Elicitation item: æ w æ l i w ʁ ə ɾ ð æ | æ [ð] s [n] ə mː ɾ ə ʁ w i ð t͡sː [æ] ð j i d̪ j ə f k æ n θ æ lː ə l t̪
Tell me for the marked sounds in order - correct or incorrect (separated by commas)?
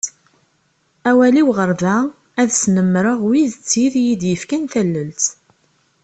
correct, correct, incorrect